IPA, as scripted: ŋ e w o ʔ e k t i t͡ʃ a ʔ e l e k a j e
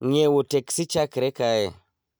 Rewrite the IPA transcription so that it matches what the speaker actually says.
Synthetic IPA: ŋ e w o t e k s i t͡ʃ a k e ɾ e k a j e